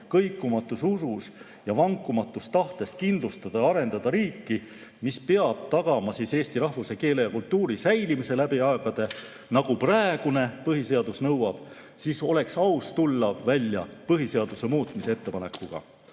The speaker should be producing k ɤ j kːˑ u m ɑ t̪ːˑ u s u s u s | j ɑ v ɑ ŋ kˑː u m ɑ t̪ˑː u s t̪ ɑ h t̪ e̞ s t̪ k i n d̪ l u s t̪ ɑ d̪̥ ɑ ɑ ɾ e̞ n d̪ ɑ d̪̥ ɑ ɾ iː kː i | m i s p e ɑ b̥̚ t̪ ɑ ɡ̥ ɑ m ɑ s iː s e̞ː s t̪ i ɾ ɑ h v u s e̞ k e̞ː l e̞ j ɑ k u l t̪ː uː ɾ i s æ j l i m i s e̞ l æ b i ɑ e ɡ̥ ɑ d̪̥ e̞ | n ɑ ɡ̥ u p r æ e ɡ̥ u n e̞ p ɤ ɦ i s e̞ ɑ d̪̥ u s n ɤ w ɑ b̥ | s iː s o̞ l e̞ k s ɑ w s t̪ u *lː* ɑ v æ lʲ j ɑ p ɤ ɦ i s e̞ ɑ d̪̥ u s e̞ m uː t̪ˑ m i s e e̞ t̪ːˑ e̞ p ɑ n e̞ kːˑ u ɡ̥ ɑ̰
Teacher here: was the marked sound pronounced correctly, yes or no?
yes